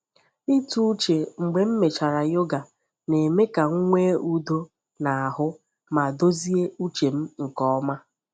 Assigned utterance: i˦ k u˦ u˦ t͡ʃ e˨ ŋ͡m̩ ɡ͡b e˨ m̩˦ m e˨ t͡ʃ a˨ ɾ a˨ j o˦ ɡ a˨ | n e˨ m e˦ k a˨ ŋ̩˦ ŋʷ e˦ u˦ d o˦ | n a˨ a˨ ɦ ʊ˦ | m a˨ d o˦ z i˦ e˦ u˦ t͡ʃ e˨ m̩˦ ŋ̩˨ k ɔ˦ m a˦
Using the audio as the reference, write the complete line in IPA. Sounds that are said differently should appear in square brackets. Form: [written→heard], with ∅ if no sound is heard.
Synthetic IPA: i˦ [k→t] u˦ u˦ t͡ʃ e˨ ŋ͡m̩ ɡ͡b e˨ m̩˦ m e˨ t͡ʃ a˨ ɾ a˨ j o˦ ɡ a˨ | n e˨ m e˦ k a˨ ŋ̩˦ ŋʷ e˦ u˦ d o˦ | n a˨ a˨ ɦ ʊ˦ | m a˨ d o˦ z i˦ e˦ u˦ t͡ʃ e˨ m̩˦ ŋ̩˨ k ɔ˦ m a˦